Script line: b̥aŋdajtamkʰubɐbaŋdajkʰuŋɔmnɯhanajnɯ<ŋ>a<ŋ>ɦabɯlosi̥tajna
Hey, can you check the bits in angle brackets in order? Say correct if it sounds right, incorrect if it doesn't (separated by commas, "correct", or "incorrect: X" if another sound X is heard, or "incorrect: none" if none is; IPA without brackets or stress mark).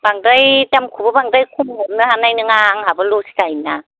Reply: correct, correct